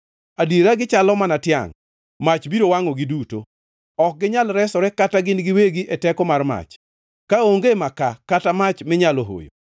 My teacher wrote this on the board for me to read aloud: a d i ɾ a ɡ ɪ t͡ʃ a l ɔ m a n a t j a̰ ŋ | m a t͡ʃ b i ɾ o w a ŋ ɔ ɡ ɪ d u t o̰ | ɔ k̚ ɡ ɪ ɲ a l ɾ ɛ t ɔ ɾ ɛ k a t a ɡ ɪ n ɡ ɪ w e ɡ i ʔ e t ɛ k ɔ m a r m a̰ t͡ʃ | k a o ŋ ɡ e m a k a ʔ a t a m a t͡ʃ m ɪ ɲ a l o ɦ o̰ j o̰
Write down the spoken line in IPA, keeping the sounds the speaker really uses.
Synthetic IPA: a d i ɾ a ɡ ɪ t͡ʃ a l ɔ m a n a t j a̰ ŋ | m a t͡ʃ b i ɾ o w a ŋ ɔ ɡ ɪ d u t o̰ | ɔ k̚ ɡ ɪ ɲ a l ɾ ɛ s ɔ ɾ ɛ k a t a ɡ ɪ n ɡ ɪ w e ɡ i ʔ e t ɛ k ɔ m a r m a̰ t͡ʃ | k a o ŋ ɡ e m a k a k a t a m a t͡ʃ m ɪ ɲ a l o ɦ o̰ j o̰